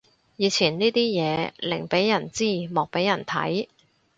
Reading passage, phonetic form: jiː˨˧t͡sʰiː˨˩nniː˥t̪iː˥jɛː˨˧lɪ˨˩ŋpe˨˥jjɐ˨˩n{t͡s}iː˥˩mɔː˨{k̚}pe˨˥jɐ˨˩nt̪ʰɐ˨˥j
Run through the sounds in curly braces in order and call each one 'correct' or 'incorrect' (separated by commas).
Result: correct, correct